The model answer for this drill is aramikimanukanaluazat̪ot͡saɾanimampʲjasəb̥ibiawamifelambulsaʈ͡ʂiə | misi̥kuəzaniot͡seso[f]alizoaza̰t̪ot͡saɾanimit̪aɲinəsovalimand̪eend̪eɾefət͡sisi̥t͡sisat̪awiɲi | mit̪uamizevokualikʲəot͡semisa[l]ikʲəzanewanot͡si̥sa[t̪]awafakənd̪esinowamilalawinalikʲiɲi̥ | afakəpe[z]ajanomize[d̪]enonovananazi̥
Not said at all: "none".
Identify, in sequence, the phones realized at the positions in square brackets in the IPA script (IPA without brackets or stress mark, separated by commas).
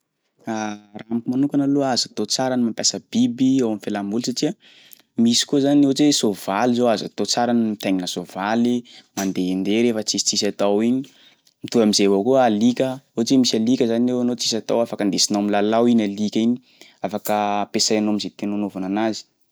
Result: v, l, t̪, s, t̪